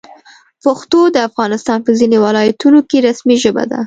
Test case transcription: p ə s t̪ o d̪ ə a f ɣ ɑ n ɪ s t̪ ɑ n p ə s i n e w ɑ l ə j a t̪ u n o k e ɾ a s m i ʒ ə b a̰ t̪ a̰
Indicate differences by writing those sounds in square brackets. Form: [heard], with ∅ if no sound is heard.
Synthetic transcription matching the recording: p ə [x] t̪ o d̪ ə a f ɣ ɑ n ɪ s t̪ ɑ n p ə [z] i n e w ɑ l [ɑ] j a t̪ u n o k e ɾ a s m i ʒ ə b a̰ [d̪] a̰